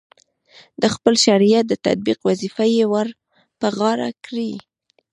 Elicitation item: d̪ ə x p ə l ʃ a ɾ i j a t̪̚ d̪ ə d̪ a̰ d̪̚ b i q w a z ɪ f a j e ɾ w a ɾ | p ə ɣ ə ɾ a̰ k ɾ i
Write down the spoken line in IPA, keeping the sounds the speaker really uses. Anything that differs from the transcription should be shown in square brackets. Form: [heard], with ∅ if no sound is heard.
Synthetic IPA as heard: d̪ ə x p ə l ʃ a ɾ i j a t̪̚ d̪ ə [t̪] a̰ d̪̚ b i q w a z [i] f a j e [∅] w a ɾ | p ə ɣ [ɑ] ɾ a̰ k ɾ i